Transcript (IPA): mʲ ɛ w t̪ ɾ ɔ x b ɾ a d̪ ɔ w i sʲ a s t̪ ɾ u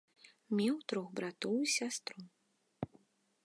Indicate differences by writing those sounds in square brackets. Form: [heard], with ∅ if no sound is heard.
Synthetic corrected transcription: mʲ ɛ w t̪ ɾ ɔ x b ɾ a [t̪] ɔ w i sʲ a s t̪ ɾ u